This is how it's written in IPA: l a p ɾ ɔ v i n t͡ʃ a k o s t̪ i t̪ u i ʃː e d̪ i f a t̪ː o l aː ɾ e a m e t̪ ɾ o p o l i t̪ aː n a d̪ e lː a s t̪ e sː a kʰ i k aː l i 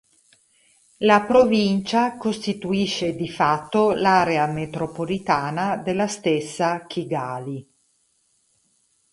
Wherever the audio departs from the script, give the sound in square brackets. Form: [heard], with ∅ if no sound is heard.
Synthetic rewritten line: l a p ɾ [o] v i n t͡ʃ a k o s t̪ i t̪ u i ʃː e d̪ i f a t̪ː o l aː ɾ e a m e t̪ ɾ o p o l i t̪ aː n a d̪ e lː a s t̪ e sː a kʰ i [ɡ] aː l i